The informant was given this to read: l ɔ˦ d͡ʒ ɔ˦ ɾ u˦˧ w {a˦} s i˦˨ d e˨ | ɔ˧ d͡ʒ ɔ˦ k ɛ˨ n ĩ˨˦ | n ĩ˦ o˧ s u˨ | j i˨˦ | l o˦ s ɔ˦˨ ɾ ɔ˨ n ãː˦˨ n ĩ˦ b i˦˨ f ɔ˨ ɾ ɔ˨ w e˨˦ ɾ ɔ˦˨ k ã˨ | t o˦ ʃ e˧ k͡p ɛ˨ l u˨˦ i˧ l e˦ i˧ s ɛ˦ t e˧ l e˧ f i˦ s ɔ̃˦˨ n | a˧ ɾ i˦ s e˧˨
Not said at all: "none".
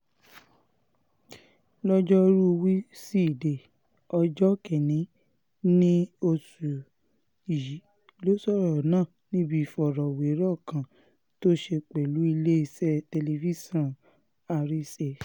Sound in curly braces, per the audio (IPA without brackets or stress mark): i˦